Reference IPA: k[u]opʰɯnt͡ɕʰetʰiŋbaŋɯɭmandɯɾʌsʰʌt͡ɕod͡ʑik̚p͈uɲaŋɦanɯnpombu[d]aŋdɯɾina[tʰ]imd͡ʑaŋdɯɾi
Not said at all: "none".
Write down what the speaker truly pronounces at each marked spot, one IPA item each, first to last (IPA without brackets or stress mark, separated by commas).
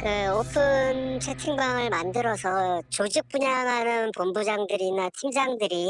ɯ, d͡ʑ, tʰ